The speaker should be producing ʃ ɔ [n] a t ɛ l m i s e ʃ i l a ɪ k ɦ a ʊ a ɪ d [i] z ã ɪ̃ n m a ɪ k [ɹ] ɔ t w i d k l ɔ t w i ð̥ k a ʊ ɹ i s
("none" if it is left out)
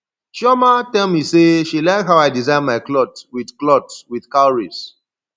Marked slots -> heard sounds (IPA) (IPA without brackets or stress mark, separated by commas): m, i, l